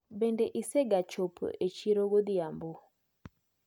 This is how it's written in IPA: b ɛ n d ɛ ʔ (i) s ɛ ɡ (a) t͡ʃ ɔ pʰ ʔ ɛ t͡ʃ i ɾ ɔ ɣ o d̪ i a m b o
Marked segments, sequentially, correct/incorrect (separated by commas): correct, correct